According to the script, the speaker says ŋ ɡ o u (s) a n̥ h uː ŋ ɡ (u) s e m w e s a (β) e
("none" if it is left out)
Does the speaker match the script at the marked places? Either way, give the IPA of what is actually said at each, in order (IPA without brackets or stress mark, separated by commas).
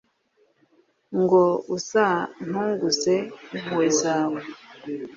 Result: s, u, w